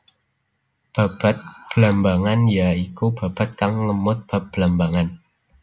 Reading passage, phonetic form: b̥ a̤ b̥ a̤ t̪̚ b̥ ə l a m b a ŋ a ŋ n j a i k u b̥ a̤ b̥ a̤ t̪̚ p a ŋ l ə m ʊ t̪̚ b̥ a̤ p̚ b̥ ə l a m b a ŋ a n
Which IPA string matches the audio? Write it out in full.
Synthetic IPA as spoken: b̥ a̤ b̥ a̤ t̪̚ b̥ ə l a m b a ŋ a n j a i k u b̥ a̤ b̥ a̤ t̪̚ k a ŋ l ə m ʊ t̪̚ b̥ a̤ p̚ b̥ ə l a m b a ŋ a n